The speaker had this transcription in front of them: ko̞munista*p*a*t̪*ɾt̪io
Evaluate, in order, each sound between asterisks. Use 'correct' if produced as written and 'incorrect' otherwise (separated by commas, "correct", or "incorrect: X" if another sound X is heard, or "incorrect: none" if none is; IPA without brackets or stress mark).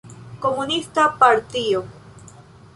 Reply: correct, incorrect: none